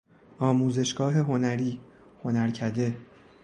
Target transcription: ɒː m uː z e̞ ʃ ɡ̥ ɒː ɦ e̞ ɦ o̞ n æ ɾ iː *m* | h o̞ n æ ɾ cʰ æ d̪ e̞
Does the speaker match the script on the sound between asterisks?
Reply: no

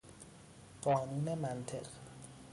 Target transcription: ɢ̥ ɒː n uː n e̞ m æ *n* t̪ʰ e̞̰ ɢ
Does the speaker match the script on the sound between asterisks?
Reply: yes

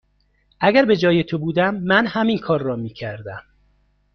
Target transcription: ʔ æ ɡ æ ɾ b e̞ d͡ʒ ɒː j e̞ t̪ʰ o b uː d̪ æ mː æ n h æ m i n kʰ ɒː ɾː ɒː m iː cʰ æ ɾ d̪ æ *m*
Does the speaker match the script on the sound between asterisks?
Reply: yes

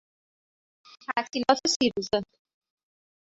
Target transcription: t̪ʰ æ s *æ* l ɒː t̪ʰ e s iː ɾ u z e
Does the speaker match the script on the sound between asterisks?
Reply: no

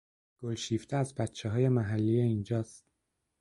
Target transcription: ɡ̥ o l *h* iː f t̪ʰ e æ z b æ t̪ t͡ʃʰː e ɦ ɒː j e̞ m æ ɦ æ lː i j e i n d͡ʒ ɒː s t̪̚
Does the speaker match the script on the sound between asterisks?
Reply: no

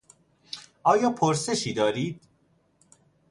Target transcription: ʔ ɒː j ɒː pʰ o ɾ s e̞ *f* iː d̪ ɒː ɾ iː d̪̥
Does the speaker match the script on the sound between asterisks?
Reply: no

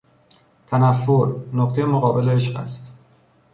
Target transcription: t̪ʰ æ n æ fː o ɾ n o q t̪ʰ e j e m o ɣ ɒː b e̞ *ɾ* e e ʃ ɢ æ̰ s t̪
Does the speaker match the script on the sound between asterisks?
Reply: no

